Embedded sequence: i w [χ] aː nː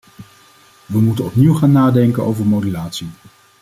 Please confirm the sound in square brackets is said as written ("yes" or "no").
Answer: yes